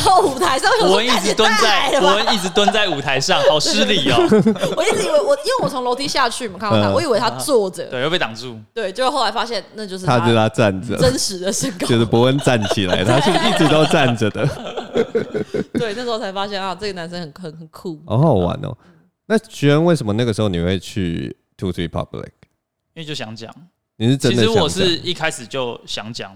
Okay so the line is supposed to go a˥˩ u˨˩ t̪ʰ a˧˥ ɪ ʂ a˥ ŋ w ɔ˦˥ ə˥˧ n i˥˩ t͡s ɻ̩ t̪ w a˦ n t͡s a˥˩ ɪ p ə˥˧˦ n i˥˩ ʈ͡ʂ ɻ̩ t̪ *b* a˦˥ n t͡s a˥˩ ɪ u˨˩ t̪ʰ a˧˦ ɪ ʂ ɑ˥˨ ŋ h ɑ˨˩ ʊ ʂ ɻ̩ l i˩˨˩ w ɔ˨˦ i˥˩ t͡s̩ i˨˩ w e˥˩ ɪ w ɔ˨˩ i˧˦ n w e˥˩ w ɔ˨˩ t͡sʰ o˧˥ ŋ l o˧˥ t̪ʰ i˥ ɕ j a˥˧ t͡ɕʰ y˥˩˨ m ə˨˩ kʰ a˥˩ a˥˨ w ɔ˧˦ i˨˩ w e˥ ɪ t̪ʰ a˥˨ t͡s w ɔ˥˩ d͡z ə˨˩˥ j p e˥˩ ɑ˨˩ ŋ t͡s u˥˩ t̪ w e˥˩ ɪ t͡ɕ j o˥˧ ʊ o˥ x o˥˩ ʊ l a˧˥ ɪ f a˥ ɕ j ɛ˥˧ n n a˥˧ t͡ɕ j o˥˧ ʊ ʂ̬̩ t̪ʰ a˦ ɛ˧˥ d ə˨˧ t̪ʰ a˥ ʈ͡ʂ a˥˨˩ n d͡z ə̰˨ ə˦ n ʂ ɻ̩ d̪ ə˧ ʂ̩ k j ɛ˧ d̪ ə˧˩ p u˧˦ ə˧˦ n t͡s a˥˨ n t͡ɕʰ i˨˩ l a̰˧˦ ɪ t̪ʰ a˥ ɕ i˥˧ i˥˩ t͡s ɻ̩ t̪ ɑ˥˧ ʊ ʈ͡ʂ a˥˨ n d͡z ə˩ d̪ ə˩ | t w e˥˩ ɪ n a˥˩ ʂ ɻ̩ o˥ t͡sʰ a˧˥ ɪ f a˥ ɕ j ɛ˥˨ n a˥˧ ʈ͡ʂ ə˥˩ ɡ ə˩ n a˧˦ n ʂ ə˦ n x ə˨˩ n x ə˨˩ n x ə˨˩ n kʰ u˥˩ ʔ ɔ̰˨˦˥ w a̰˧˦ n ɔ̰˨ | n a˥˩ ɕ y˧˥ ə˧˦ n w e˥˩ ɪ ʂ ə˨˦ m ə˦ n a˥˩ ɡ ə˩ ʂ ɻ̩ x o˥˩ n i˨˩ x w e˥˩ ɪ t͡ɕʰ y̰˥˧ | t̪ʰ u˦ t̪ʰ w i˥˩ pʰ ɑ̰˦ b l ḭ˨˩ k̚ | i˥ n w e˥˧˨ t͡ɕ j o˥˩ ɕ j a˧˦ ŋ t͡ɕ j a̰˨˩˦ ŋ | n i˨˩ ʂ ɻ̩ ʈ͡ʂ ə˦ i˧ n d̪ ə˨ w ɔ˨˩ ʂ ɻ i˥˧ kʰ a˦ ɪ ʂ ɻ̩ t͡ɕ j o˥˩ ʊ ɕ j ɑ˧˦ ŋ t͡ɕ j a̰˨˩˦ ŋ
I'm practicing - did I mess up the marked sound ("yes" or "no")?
yes